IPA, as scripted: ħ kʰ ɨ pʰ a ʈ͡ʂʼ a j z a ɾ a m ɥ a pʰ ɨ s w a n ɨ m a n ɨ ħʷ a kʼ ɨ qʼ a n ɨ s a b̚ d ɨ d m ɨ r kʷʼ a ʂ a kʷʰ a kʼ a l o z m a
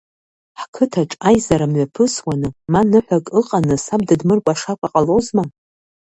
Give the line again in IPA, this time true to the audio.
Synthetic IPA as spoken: ħ kʰ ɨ tʰ a ʈ͡ʂʼ a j z a ɾ a m ɥ a pʰ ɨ s w a n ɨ m a n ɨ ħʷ a kʼ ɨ qʼ a n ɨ s a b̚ d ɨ d m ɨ r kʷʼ a ʂ a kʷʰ a qʼ a l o z m a